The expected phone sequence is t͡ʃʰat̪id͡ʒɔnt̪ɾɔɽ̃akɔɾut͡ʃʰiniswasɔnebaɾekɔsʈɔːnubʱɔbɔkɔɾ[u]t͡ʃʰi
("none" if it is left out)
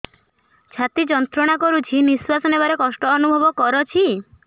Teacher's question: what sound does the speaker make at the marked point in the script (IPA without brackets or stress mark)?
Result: ɔ